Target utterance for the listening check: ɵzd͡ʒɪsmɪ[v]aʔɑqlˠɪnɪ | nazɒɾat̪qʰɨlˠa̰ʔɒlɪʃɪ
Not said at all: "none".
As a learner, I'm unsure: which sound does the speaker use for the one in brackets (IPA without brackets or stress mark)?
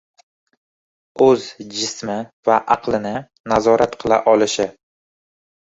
v